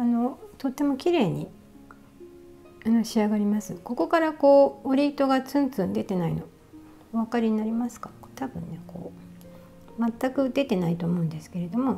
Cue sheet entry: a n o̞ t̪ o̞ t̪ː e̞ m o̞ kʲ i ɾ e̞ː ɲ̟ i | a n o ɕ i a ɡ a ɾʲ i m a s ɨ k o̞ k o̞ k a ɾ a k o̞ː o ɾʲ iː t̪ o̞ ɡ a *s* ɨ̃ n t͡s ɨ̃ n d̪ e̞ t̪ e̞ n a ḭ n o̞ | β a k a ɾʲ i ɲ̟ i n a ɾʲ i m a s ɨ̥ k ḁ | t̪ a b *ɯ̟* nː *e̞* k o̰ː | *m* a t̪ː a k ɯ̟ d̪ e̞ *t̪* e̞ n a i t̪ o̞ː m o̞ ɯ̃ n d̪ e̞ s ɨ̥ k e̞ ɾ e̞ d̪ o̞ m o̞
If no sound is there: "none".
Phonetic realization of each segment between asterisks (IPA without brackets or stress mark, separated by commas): t͡s, ɯ̟̃, e̞, m, t̪